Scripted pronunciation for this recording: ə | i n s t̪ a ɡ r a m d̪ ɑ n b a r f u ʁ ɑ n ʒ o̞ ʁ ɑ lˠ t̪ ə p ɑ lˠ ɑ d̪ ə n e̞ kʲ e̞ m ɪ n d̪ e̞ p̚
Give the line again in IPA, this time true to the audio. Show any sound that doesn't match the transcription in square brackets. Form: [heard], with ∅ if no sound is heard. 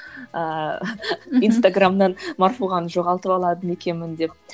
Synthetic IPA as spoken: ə | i n s t̪ a ɡ r a m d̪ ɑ n [m] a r f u ʁ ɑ n ʒ o̞ ʁ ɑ lˠ t̪ ə p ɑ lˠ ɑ d̪ ə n e̞ kʲ e̞ m ɪ n d̪ e̞ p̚

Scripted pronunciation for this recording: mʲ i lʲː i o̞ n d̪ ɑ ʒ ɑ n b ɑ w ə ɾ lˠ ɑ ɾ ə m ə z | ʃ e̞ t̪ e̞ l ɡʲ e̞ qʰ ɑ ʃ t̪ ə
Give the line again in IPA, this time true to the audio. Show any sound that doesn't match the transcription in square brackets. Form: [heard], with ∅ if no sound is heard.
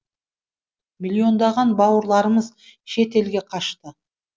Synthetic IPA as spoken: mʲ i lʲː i o̞ n d̪ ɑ [ʁ] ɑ n b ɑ w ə ɾ lˠ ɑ ɾ ə m ə z | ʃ e̞ t̪ e̞ l ɡʲ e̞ qʰ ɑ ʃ t̪ ə

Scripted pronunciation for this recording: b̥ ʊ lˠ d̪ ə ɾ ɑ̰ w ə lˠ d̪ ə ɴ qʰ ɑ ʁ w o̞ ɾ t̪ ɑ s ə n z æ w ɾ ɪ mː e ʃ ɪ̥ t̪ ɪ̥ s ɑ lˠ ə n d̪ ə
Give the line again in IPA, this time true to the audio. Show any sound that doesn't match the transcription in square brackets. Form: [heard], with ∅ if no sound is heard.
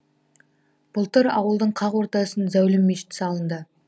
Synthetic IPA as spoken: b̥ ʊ lˠ [t̪] ə ɾ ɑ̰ w ə lˠ d̪ ə ɴ qʰ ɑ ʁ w o̞ ɾ t̪ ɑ s ə n z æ w [l] ɪ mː e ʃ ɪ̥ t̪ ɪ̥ s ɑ lˠ ə n d̪ ə

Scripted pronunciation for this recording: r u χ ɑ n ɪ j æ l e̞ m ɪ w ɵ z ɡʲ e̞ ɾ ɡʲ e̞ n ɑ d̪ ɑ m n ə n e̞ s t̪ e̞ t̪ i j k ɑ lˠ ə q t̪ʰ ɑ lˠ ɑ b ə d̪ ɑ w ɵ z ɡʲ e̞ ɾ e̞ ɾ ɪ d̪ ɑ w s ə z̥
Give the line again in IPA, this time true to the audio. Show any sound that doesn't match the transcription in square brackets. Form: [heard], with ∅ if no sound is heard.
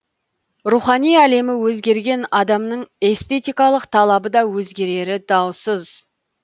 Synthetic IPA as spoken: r u χ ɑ n [i] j æ l e̞ m ɪ w ɵ z ɡʲ e̞ ɾ ɡʲ e̞ n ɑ d̪ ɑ m n ə [ɴ] e̞ s t̪ e̞ t̪ i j k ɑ lˠ ə q t̪ʰ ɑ lˠ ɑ b ə d̪ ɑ w ɵ z ɡʲ e̞ ɾ e̞ ɾ ɪ d̪ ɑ w s ə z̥

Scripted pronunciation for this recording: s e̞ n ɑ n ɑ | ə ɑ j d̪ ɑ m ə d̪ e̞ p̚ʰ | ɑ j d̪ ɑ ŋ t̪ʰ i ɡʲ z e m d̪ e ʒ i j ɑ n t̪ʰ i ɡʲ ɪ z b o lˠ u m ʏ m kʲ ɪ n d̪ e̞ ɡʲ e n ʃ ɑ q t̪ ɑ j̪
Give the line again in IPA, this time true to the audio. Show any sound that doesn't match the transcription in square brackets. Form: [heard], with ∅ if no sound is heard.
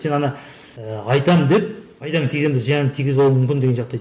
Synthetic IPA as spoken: s e̞ n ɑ n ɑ | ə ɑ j [t̪] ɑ m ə d̪ e̞ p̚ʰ | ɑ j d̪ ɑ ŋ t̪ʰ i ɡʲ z e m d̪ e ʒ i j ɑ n t̪ʰ i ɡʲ ɪ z b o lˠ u m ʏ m kʲ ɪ n d̪ e̞ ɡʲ e n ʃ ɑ q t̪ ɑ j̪

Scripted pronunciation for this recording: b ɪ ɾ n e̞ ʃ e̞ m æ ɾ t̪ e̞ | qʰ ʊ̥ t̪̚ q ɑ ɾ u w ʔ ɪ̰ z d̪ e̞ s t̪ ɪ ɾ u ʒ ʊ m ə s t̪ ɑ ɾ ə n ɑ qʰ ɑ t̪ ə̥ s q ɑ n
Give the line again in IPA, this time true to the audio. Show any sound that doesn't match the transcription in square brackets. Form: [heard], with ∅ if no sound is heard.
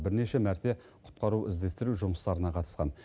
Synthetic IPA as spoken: b ɪ ɾ n e̞ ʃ e̞ m æ ɾ t̪ e̞ | qʰ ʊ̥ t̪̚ q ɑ ɾ u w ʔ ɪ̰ z d̪ e̞ s t̪ ɪ ɾ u ʒ ʊ m ə s t̪ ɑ ɾ ə n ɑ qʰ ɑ t̪ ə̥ s q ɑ n

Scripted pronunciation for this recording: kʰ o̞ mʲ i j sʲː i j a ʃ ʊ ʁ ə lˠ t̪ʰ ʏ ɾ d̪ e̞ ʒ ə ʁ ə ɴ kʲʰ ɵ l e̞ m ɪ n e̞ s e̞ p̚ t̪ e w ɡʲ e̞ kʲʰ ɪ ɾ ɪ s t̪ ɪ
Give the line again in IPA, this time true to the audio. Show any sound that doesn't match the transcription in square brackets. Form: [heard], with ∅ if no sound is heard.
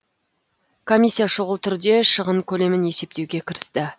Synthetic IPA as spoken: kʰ o̞ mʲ i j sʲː i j a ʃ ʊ ʁ ə lˠ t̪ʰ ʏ ɾ d̪ e̞ [ʃ] ə ʁ ə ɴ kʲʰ ɵ l e̞ m ɪ n e̞ s e̞ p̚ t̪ e w ɡʲ e̞ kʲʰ ɪ ɾ ɪ s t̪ ɪ

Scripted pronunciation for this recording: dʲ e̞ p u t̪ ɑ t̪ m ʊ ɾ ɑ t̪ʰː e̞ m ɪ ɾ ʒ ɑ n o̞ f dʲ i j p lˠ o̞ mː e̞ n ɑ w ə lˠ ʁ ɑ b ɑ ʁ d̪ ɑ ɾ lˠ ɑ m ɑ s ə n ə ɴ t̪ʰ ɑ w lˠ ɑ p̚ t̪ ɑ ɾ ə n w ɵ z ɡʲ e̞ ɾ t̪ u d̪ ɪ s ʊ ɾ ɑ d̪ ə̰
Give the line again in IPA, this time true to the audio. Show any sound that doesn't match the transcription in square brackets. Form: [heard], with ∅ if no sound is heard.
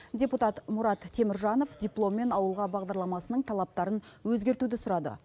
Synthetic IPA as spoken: dʲ e̞ p u t̪ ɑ t̪ m ʊ ɾ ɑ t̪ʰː e̞ m ɪ ɾ ʒ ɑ n o̞ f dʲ i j p lˠ o̞ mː e̞ n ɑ w ə lˠ ʁ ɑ b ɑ ʁ d̪ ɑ ɾ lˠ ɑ m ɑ s ə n ə ɴ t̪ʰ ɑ [∅] lˠ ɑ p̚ t̪ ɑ ɾ ə n w ɵ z ɡʲ e̞ ɾ t̪ u d̪ ɪ s ʊ ɾ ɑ d̪ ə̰

